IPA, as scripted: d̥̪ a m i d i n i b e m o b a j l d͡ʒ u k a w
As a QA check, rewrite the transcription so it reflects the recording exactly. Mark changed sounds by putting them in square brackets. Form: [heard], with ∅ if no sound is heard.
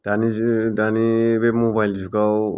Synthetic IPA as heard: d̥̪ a [n] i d [a] n i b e m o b a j l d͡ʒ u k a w